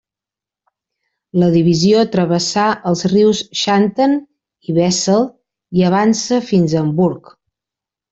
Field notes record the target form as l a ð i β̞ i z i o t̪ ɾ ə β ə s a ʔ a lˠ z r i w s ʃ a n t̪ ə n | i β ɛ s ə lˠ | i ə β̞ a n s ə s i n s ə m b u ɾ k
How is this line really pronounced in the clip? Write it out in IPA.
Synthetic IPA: l ə ð i β̞ i z i o t̪ ɾ ə β ə s a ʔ ə lˠ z r i w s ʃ a n t̪ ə n | i β ɛ s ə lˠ | i ə β̞ a n s ə f i n z ə m b u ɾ k